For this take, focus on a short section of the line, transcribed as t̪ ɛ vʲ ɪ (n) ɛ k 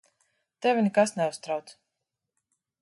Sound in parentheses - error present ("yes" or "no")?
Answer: no